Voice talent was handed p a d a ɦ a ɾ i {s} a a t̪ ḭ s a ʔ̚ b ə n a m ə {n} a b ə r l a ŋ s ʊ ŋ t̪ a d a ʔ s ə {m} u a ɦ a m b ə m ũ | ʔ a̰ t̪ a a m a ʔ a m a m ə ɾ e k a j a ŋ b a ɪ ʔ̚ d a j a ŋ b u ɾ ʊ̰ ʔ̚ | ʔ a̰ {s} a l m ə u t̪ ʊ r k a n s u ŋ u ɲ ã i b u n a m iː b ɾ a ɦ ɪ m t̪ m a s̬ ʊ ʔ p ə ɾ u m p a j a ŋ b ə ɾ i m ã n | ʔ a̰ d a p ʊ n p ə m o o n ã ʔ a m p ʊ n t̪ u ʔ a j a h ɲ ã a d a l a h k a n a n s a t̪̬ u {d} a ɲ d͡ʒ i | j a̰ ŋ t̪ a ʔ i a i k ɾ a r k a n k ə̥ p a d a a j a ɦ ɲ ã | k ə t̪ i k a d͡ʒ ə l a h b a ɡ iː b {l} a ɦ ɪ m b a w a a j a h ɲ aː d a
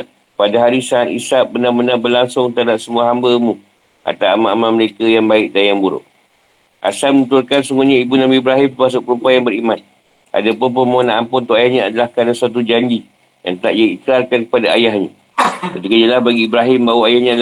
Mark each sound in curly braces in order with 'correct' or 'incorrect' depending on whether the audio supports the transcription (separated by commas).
correct, correct, correct, correct, incorrect, incorrect